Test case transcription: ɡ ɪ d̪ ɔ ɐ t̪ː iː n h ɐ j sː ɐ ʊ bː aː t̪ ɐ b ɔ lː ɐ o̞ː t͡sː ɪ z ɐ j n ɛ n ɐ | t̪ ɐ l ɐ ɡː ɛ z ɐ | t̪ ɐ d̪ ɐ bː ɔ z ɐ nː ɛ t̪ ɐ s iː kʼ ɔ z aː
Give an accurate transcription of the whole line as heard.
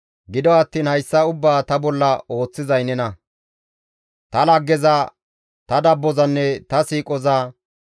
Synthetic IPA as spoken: ɡ ɪ d̪ ɔ ɐ t̪ː iː n h ɐ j sː ɐ ʊ bː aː t̪ ɐ b ɔ lː ɐ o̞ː t͡sː ɪ z ɐ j n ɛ n ɐ | t̪ ɐ l ɐ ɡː ɛ z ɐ | t̪ ɐ d̪ ɐ bː ɔ z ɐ nː ɛ t̪ ɐ s iː kʼ ɔ z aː